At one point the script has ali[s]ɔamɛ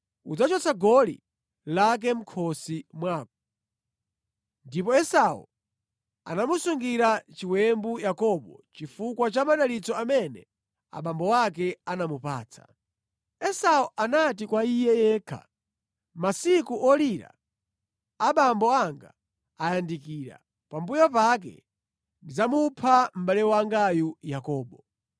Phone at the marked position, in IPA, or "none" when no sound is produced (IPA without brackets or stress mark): t͡s